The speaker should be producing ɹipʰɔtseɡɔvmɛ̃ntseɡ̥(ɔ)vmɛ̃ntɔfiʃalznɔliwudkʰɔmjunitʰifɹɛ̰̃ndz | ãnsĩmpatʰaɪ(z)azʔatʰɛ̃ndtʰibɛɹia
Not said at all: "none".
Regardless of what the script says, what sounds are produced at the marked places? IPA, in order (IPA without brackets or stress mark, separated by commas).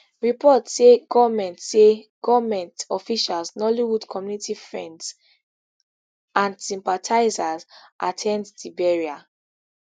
ɔ, z